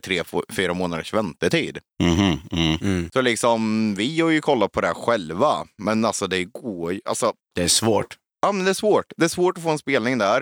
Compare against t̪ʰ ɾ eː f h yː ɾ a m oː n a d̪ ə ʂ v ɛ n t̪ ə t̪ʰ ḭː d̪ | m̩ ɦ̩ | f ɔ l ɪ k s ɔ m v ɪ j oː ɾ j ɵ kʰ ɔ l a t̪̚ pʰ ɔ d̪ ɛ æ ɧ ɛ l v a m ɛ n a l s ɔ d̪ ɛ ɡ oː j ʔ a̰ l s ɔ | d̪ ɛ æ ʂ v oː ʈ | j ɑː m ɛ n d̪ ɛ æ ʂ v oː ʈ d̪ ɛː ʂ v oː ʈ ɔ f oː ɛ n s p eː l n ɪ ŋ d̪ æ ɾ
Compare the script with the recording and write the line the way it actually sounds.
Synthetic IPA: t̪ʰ ɾ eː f f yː ɾ a m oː n a d̪ ə ʂ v ɛ n t̪ ə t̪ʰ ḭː d̪ | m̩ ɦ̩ | s ɔ l ɪ k s ɔ m v ɪ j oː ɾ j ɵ kʰ ɔ lː a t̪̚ pʰ ɔ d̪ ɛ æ ɧ ɛ l v a m ɛ n a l s ɔ d̪ ɛ ɡ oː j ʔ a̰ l s ɔ | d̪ ɛ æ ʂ v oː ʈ | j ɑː m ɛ n d̪ ɛ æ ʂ v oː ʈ d̪ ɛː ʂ v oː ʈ ɔ f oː ɛ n s p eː l n ɪ ŋ d̪ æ ɾ